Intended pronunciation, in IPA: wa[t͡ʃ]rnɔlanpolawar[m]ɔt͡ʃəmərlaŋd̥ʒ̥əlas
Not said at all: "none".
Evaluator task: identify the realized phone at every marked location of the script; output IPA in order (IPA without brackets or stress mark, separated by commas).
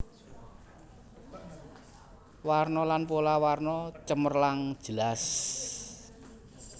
none, n